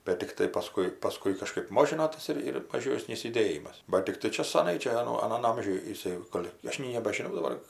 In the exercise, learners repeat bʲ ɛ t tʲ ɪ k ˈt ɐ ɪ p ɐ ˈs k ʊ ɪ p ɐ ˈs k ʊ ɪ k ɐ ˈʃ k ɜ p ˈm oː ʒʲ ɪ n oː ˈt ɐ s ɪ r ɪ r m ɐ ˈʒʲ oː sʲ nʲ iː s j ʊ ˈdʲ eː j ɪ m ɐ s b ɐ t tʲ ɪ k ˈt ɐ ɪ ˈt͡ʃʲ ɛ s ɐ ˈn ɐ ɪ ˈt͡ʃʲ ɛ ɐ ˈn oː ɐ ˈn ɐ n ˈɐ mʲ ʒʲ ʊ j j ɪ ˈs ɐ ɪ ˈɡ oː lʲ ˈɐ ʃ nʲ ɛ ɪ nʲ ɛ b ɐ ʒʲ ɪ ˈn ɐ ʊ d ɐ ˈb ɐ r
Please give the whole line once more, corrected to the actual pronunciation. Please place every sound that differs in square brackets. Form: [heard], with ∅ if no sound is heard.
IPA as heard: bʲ ɛ t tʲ ɪ k ˈt ɐ ɪ p ɐ ˈs k ʊ ɪ p ɐ ˈs k ʊ ɪ k ɐ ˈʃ k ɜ p ˈm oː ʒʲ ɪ n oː ˈt ɐ s ɪ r ɪ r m ɐ ˈʒʲ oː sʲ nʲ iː s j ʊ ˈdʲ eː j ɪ m ɐ s b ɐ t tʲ ɪ k ˈt ɐ ɪ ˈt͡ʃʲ ɛ s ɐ ˈn ɐ ɪ ˈt͡ʃʲ ɛ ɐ ˈn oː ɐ ˈn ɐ n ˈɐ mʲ ʒʲ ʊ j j ɪ ˈs ɐ ɪ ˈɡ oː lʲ ˈɐ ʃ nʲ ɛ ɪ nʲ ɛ b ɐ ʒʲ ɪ ˈn ɐ ʊ d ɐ ˈb ɐ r